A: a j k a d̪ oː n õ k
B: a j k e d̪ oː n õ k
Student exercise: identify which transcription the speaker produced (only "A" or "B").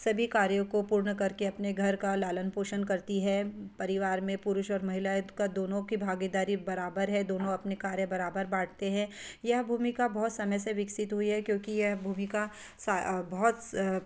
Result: A